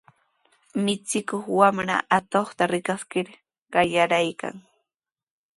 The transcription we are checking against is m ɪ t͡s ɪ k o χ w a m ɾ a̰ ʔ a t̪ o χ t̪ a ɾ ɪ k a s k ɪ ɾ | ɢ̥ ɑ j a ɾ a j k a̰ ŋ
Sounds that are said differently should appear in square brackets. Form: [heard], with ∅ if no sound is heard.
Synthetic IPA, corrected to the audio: m ɪ t͡s ɪ k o χ w a m ɾ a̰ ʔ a t̪ o χ t̪ a ɾ ɪ k a s k ɪ ɾ | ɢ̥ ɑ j a ɾ a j k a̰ ŋ